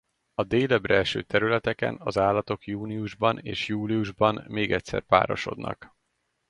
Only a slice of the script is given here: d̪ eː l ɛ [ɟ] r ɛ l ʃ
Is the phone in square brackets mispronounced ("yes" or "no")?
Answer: yes